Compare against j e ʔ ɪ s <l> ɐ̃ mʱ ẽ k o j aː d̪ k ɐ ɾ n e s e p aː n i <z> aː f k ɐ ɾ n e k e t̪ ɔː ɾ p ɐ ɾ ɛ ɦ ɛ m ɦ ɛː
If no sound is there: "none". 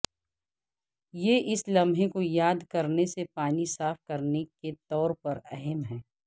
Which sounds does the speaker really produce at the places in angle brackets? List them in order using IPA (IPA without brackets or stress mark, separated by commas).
l, s